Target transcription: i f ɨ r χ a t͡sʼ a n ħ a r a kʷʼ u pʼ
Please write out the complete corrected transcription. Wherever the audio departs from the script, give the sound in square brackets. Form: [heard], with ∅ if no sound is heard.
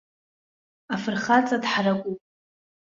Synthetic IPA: [a] f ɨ r χ a t͡sʼ a [d] ħ a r a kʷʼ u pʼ